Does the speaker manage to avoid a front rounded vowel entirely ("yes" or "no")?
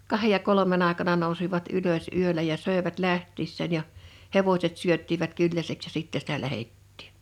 no